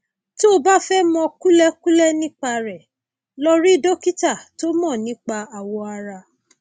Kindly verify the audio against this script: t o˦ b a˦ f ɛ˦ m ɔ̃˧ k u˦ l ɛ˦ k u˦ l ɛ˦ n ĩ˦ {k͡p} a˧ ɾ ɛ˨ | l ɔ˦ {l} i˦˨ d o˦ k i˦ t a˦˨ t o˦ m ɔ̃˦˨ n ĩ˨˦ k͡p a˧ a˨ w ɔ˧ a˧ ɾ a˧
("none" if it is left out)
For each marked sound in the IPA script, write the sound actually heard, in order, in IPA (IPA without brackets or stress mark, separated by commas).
k͡p, ɾ